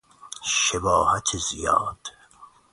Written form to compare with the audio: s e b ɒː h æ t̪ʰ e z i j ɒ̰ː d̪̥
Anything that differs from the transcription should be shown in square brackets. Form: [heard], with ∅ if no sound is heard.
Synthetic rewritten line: [ʃ] e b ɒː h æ t̪ʰ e z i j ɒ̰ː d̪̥